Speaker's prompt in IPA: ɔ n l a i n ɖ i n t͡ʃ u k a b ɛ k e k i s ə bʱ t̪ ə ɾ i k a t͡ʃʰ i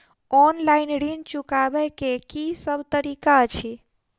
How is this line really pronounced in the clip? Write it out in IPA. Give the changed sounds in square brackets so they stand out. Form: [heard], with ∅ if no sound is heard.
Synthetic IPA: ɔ n l a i n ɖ i n t͡ʃ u k a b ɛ k e k i s ə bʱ t̪ ə ɾ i k a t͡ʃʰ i

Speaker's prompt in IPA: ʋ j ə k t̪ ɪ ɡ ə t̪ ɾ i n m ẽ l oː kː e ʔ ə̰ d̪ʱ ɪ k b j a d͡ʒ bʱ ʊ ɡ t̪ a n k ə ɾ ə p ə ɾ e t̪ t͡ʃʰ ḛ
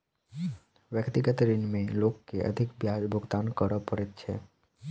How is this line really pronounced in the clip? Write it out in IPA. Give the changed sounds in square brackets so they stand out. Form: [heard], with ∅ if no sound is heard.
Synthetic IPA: ʋ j ə k t̪ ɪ ɡ ə t̪ ɾ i n m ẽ l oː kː e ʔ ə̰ d̪ʱ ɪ k b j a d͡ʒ bʱ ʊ ɡ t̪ a n k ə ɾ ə p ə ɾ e t̪ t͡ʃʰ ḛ

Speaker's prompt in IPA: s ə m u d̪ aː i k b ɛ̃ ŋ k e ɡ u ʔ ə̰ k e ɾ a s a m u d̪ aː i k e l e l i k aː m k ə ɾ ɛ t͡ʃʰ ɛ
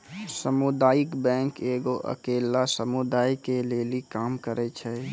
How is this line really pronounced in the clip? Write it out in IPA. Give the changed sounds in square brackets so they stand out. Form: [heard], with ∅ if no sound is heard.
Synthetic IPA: s ə m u d̪ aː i k b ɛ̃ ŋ k e ɡ [o] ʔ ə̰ k e [l] a s [ə] m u d̪ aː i k e l e l i k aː m k ə ɾ ɛ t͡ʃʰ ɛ

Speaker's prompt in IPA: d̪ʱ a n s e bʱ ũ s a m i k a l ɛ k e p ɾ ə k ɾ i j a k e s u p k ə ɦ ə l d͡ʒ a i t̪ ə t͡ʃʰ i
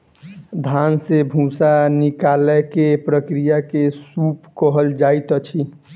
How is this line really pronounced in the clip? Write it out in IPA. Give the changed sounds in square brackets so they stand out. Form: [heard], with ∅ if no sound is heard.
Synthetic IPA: d̪ʱ a n s e bʱ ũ s a [n] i k a l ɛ k e p ɾ ə k ɾ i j a k e s u p k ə ɦ ə l d͡ʒ a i t̪ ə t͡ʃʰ i

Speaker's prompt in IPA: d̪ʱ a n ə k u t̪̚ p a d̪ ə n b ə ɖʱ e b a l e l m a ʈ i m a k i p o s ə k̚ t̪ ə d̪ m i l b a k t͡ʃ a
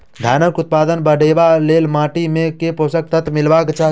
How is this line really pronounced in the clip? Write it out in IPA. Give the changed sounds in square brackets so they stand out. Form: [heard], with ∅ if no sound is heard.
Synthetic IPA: d̪ʱ a n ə k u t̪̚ p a d̪ ə n b ə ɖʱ e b a l e l m a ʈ i m [e] k [e] p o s ə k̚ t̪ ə [t̪] m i l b a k t͡ʃ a

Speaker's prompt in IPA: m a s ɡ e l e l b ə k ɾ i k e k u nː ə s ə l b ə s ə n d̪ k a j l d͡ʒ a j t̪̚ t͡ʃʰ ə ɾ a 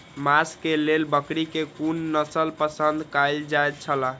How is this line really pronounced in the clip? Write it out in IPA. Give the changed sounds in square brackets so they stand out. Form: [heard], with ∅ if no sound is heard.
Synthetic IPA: m a s [k] e l e l b ə k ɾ i k e k u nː ə s ə l [p] ə s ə n d̪ k a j l d͡ʒ a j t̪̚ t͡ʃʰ ə [l] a

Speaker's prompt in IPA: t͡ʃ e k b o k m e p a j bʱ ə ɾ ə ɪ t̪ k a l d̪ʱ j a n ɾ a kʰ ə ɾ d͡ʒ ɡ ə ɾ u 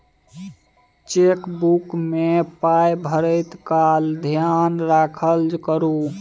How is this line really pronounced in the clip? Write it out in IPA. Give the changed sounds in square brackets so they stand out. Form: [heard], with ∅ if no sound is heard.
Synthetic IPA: t͡ʃ e k b [u] k m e p a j bʱ ə ɾ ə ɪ t̪ k a l d̪ʱ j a n ɾ a kʰ ə [l] d͡ʒ [k] ə ɾ u

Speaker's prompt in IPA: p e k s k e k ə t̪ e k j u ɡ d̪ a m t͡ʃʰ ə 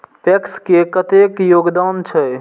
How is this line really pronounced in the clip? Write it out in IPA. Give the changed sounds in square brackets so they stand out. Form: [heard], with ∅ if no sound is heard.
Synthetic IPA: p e k s k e k ə t̪ e k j [o] ɡ d̪ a [n] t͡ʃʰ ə

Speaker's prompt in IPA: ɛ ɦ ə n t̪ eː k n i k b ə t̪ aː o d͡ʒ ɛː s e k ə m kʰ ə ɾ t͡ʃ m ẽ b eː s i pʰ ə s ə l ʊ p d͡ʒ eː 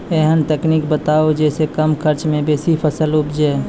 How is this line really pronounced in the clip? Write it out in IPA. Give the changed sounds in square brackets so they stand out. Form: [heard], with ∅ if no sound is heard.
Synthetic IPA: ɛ ɦ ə n t̪ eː k n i k b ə t̪ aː o d͡ʒ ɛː s e k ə m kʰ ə ɾ t͡ʃ m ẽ b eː s i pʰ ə s ə l ʊ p d͡ʒ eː

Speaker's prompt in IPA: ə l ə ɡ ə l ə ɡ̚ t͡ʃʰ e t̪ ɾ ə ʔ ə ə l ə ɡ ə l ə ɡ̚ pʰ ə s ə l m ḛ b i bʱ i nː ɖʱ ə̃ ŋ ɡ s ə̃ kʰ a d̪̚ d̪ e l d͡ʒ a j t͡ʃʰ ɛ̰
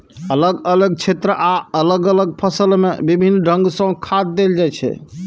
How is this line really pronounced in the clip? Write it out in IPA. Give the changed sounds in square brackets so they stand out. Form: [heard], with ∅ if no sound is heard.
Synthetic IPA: ə l ə ɡ ə l ə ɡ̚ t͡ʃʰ e t̪ ɾ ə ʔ [a] ə l ə ɡ ə l ə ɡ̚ pʰ ə s ə l m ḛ b i bʱ i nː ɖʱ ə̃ ŋ ɡ s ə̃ kʰ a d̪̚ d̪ e l d͡ʒ a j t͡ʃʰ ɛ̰

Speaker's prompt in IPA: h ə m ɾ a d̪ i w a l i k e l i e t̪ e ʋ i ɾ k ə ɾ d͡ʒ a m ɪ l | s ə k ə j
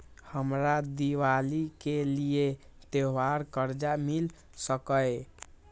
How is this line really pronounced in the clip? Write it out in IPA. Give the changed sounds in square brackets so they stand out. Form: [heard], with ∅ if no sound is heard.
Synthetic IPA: h ə m ɾ a d̪ i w a l i k e l i e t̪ e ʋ [a] ɾ k ə ɾ d͡ʒ a m [i] l | s ə k ə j

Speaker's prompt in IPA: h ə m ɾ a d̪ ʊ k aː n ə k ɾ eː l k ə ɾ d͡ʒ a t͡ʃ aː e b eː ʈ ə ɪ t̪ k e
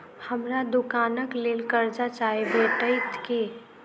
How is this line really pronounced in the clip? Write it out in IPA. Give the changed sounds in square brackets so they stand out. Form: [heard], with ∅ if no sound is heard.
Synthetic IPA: h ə m ɾ a d̪ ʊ k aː n ə k [l] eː l k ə ɾ d͡ʒ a t͡ʃ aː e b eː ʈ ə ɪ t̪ k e

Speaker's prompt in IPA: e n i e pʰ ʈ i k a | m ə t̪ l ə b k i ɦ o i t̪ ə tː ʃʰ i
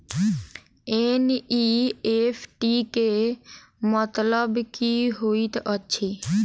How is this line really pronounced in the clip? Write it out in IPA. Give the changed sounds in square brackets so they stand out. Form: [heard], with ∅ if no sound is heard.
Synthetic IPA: e n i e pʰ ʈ i k [e] | m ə t̪ l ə b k i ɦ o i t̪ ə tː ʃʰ i

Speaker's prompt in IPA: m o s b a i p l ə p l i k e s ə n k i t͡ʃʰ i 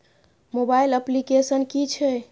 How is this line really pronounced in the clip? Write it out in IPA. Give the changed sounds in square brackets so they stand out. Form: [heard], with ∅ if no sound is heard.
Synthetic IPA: m o [∅] b a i [∅] l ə p l i k e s ə n k i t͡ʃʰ [ɛ]

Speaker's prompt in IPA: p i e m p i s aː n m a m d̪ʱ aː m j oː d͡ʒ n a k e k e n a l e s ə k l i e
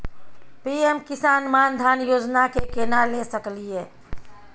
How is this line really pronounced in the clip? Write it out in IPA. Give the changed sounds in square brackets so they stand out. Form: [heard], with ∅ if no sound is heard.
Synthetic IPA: p i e m [k] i s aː n m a [n] d̪ʱ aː [n] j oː d͡ʒ n a k e k e n a l e s ə k l i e

